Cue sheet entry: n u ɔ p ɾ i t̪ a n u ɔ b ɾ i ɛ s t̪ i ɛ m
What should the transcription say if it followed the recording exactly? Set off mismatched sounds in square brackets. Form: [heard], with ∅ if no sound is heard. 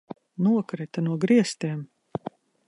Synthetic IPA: n u ɔ [k] ɾ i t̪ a n u ɔ [ɡ] ɾ i ɛ s t̪ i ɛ m